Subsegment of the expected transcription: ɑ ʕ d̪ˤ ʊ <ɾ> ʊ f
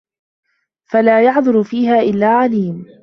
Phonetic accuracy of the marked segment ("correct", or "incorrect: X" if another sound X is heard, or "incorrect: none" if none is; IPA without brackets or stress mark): correct